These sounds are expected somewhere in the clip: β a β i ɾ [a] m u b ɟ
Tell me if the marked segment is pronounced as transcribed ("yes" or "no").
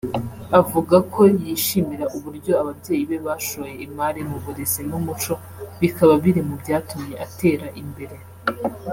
no